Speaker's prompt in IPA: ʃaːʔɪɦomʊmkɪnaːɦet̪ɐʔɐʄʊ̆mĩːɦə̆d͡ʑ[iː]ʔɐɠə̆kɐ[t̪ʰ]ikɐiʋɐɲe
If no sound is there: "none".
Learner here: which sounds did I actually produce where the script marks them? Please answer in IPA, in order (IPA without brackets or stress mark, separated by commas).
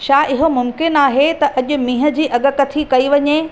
iː, t̪ʰ